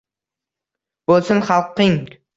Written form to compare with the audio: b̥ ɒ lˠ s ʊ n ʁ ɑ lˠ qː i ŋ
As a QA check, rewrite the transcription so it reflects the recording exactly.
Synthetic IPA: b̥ o lˠ s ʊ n χ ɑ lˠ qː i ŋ